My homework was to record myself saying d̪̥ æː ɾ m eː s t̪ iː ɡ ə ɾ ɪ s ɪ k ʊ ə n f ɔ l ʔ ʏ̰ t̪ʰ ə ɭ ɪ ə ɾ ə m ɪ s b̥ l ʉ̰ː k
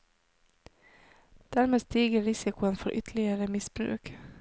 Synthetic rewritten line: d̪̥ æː ɾ m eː s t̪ iː ɡ ə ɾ ɪ s ɪ k ʊ ə n f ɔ ɾ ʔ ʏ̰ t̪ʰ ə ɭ ɪ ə ɾ ə m ɪ s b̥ ɾ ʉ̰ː k